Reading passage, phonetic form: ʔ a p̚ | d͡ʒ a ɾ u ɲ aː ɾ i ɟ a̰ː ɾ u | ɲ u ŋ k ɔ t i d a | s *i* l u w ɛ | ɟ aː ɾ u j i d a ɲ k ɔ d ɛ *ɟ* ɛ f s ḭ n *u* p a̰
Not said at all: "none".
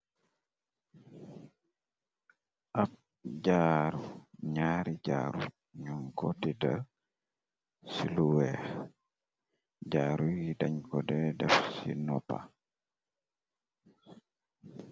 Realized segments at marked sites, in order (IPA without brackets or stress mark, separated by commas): i, d, ɔ